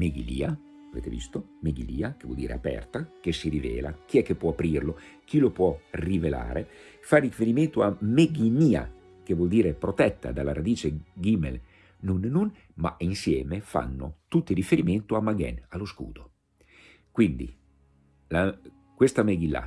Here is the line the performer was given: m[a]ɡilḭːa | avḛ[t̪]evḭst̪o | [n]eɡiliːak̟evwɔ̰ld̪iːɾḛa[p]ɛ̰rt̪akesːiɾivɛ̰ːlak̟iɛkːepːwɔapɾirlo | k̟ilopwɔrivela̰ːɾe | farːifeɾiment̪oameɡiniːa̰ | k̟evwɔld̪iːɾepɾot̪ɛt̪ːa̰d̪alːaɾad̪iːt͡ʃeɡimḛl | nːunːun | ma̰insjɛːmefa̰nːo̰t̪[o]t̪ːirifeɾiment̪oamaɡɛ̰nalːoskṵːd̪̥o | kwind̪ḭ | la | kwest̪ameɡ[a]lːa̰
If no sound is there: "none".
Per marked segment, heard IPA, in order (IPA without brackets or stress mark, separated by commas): e, t̪, m, p, u, i